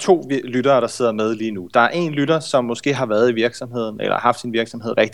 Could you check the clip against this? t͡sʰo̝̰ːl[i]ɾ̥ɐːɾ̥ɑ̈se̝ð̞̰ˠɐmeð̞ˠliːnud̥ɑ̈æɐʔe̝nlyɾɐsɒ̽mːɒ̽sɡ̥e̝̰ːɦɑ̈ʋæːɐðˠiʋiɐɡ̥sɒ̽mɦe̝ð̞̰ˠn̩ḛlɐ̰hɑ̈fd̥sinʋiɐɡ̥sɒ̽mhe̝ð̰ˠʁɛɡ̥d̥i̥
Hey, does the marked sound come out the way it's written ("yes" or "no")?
no